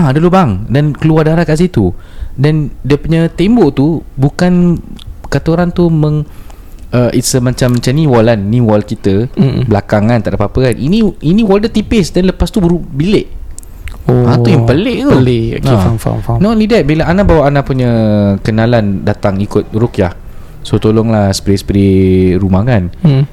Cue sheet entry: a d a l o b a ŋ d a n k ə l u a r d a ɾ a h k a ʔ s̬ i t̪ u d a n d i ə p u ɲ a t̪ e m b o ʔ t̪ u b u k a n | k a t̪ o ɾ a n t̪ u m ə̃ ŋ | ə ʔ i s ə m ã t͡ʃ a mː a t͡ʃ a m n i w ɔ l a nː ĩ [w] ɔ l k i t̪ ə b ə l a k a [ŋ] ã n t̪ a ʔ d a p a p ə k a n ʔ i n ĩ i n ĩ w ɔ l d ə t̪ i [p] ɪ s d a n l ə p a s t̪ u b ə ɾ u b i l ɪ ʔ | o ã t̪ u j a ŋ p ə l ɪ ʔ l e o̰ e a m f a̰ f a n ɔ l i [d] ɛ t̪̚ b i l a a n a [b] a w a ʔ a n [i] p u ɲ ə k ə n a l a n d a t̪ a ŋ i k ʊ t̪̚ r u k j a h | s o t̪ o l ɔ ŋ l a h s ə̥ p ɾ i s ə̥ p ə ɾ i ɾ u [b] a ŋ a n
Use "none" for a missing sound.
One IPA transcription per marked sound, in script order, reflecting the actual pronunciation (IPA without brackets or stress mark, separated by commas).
w, ŋ, p, d, b, a, m